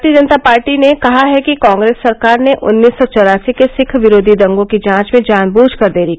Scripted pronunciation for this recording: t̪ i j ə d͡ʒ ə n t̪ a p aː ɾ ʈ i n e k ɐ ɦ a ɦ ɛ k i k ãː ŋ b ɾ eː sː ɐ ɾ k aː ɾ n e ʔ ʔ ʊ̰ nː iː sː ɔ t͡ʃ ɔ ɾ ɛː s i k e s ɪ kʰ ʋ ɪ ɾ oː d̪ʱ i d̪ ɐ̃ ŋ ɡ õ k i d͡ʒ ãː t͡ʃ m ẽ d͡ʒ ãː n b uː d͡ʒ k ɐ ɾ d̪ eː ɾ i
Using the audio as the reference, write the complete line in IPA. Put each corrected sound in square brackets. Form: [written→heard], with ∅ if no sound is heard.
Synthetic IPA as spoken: t̪ i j ə d͡ʒ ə n t̪ a p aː ɾ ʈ i n e k ɐ ɦ a ɦ ɛ k i k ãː ŋ [b→ɡ] ɾ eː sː ɐ ɾ k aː ɾ n e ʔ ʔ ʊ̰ nː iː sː ɔ t͡ʃ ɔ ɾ [ɛː→aː] s i k e s ɪ kʰ ʋ ɪ ɾ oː d̪ʱ i d̪ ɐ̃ ŋ ɡ õ k i d͡ʒ ãː t͡ʃ m ẽ d͡ʒ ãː n b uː d͡ʒ k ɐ ɾ d̪ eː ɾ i

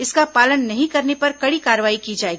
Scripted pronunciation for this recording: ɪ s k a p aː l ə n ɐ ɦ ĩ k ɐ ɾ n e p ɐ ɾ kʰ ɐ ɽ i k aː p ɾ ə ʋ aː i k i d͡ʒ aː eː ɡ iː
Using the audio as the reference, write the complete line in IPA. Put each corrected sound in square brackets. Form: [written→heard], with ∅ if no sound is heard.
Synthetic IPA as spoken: ɪ s k a p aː l ə [n→nː] ɐ ɦ ĩ k ɐ ɾ n e p ɐ ɾ [kʰ→k] ɐ ɽ i k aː [p→∅] ɾ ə ʋ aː i k i d͡ʒ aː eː ɡ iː

